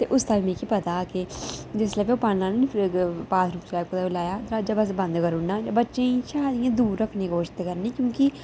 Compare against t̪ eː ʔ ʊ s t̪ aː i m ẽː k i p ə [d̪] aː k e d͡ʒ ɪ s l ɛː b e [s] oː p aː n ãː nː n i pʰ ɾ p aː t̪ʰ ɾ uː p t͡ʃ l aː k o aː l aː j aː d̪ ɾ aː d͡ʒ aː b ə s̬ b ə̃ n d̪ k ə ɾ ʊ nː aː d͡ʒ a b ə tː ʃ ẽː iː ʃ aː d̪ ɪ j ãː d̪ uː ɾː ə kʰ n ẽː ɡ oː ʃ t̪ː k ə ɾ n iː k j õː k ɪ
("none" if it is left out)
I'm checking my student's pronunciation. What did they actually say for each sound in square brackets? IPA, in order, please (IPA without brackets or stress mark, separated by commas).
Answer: t̪, none